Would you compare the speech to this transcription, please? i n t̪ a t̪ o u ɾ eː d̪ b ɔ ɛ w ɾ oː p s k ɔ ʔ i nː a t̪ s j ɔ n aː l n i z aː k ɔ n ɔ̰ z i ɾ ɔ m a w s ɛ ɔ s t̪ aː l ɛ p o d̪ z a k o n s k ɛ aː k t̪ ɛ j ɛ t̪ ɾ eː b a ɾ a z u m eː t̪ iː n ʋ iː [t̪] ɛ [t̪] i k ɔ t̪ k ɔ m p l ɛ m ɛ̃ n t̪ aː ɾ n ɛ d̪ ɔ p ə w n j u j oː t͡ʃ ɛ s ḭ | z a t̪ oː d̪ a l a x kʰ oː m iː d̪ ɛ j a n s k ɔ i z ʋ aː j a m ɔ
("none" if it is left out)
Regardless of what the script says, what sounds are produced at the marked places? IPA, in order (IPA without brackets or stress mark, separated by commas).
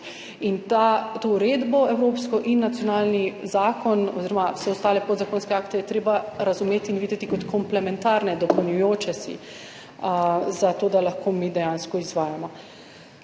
d̪, t̪